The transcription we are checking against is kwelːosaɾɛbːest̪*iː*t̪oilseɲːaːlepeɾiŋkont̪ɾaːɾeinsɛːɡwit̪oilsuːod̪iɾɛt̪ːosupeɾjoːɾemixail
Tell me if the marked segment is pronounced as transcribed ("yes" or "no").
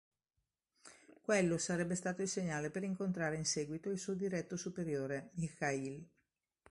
no